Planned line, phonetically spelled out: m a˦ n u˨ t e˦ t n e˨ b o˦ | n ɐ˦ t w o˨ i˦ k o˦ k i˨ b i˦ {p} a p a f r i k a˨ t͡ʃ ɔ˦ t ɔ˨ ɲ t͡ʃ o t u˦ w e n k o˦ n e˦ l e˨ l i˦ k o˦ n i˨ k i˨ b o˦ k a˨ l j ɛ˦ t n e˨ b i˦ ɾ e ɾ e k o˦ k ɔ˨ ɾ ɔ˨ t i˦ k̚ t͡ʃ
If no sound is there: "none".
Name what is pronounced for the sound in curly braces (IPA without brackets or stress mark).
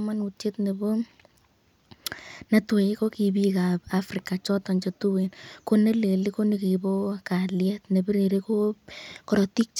k